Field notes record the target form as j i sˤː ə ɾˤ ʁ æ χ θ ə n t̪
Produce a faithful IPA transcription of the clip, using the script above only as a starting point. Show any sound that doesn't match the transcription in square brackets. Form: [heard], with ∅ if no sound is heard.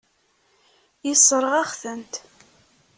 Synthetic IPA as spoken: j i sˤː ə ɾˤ ʁ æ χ θ ə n t̪